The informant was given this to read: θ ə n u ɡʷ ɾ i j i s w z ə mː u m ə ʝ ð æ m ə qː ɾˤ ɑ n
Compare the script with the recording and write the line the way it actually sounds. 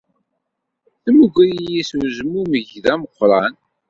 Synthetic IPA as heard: θ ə m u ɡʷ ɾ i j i s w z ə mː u m ə ʝ ð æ m ə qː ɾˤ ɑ n

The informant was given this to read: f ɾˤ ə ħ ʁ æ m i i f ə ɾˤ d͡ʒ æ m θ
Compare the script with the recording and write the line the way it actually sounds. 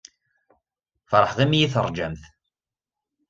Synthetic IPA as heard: f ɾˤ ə ħ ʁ i m j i θ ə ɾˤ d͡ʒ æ m θ

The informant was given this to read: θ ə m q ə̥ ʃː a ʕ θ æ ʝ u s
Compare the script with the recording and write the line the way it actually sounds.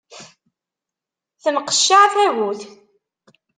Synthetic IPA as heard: θ ə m q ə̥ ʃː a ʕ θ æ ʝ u θ

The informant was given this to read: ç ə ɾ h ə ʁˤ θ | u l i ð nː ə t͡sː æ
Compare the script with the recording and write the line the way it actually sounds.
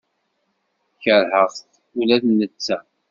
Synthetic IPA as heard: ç ə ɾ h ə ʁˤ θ | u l æ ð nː ə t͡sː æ

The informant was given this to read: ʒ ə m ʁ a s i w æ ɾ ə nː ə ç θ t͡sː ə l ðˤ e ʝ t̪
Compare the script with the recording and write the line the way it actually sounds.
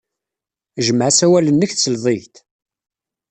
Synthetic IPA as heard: ʒ ə m ʕ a s æ w æ l ə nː ə ç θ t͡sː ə l ðˤ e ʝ t̪

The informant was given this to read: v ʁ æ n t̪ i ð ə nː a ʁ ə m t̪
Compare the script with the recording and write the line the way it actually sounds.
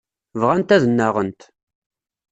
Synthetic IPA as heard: v ʁ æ n t̪ æ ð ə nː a ʁ ə n t̪

